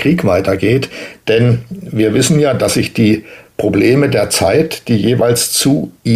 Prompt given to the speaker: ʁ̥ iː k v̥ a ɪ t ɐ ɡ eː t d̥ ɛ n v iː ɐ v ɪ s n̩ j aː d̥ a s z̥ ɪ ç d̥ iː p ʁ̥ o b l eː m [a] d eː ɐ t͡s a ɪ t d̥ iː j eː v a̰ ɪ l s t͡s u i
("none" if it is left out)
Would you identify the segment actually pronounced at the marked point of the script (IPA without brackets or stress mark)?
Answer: ə